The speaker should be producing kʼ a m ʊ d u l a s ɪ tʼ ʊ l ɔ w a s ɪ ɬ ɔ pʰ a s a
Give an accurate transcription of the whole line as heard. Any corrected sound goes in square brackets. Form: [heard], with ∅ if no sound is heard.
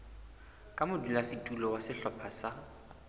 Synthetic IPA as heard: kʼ a m ʊ d u l a s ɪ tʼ [u] l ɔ w a s ɪ ɬ ɔ pʰ a s a

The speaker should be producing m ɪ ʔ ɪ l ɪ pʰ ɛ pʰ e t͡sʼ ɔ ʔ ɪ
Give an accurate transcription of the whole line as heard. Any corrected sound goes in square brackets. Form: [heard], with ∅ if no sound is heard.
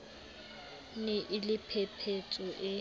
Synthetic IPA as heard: [n] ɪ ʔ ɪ l ɪ pʰ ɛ pʰ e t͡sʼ ɔ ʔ ɪ

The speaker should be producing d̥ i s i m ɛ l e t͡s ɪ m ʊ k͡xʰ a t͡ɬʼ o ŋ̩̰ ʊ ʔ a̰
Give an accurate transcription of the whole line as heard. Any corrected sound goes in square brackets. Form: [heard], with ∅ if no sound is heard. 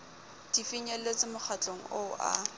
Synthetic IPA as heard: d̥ i [f] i [ɲ] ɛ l e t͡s ɪ m ʊ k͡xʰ a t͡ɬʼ o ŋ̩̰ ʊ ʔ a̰

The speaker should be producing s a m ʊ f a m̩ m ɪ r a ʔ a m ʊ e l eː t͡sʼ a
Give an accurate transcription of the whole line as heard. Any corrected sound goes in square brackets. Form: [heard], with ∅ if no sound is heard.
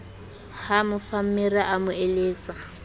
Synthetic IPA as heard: [h] a m ʊ f a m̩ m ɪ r a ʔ a m ʊ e l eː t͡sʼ a

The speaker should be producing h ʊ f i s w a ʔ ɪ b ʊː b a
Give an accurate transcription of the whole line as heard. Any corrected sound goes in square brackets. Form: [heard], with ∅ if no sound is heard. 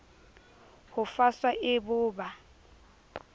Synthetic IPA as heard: h ʊ f [a] s w a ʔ ɪ b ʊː b a

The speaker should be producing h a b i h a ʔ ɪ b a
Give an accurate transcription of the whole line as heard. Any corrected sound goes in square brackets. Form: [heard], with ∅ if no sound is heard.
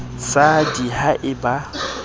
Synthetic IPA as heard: [s] a [d] i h a ʔ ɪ b a

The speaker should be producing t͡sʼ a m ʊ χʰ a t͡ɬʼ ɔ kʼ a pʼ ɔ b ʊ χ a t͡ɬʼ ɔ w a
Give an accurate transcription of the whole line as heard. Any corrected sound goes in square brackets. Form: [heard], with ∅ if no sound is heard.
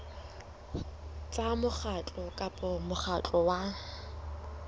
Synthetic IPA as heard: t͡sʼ a m ʊ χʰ a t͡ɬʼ ɔ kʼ a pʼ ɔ [m] ʊ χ a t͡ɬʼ ɔ w a

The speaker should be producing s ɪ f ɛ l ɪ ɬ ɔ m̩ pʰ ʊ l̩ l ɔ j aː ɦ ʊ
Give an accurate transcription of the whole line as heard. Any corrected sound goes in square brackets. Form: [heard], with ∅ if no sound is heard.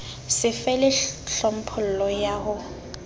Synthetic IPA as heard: s ɪ f ɛ l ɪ ɬ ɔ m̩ pʰ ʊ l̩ l ɔ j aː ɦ ʊ

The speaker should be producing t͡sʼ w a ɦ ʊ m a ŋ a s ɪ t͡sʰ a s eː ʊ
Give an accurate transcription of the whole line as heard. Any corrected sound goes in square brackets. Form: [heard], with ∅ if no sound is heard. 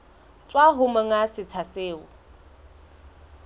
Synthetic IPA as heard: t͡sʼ w a ɦ ʊ m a ŋ a s ɪ t͡sʰ a s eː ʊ

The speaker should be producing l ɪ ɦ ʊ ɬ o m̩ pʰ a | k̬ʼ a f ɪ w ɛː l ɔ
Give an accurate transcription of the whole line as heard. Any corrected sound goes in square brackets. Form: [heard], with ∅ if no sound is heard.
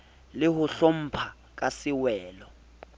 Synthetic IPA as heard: l ɪ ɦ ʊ ɬ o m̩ pʰ a | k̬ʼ a [s] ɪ w ɛː l ɔ

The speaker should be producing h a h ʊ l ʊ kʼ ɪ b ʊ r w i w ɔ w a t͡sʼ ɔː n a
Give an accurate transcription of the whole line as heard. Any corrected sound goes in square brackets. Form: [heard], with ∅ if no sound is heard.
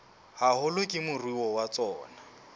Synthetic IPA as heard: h a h ʊ l ʊ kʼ ɪ [m] ʊ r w i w ɔ w a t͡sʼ ɔː n a

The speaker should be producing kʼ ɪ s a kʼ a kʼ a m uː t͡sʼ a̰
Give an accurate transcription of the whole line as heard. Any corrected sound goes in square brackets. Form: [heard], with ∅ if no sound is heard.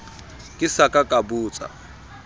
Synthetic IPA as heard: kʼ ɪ s a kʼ a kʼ a [b] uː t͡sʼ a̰

